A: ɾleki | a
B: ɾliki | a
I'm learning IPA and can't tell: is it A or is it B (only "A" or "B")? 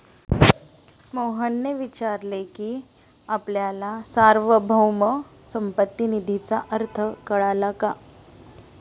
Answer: A